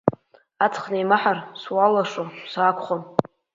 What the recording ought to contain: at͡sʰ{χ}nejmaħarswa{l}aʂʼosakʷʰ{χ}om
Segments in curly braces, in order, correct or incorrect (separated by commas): correct, correct, correct